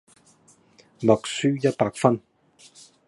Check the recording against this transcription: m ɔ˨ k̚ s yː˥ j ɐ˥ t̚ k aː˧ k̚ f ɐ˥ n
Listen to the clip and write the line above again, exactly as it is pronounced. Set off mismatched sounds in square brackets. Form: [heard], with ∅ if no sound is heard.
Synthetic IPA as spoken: m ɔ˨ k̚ s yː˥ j ɐ˥ t̚ [p] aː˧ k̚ f ɐ˥ n